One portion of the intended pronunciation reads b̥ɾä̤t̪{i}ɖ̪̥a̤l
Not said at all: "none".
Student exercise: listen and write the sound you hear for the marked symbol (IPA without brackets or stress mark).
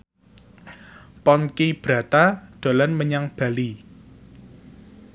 a